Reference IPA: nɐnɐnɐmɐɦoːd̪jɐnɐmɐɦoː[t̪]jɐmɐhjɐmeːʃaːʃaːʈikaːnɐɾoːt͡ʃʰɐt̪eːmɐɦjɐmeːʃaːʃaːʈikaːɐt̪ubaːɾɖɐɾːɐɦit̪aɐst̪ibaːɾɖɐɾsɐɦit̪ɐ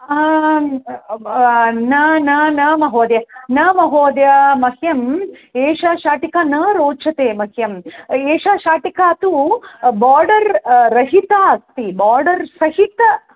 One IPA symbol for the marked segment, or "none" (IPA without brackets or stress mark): d̪